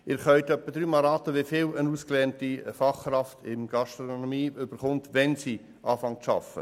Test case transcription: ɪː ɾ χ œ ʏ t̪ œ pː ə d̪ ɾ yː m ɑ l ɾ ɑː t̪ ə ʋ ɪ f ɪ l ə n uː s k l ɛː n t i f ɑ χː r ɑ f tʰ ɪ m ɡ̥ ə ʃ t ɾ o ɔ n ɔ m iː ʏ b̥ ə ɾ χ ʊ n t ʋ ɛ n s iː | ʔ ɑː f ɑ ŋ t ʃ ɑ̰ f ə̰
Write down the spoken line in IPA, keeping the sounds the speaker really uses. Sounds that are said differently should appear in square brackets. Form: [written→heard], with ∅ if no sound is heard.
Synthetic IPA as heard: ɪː ɾ χ œ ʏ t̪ œ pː ə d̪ ɾ yː m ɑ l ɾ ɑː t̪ ə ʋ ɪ f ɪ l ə n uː s k l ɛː n t i f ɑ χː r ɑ f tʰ ɪ m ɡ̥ [ə→ɑ] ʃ t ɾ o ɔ n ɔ m iː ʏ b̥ ə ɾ χ ʊ n t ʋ ɛ n s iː | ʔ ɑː f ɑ ŋ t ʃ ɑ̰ f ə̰